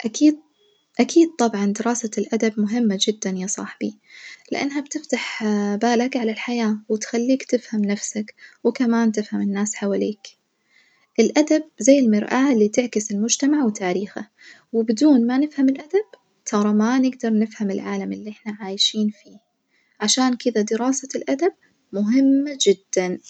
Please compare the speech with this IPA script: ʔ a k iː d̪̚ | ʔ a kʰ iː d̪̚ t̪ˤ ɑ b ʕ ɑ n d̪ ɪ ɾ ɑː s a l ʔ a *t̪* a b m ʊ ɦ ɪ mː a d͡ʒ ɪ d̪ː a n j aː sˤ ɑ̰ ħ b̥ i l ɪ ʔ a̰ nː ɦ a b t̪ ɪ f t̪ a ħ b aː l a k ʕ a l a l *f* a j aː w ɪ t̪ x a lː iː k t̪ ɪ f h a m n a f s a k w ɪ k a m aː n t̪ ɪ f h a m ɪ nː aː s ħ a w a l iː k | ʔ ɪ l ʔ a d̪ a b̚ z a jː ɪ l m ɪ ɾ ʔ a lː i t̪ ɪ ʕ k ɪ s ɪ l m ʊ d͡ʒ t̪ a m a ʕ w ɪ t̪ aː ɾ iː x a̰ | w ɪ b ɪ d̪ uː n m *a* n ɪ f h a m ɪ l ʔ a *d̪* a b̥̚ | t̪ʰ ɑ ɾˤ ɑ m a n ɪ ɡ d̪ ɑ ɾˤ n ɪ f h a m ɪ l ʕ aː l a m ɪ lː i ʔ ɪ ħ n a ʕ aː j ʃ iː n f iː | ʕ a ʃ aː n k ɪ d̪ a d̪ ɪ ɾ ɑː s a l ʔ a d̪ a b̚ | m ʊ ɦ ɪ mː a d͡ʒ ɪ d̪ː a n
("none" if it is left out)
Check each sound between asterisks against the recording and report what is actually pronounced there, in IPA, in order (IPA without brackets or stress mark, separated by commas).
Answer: d̪, ħ, a, d̪